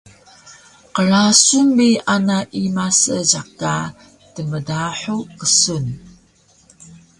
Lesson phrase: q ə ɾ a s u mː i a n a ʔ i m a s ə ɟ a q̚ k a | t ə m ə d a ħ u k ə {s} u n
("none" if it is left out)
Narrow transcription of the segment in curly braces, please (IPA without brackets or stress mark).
s